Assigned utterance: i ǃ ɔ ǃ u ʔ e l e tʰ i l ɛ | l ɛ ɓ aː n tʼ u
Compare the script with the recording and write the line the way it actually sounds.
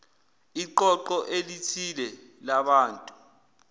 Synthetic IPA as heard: i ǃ ɔ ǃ ɔ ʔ e l i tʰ i l ɛ | l a ɓ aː n tʼ u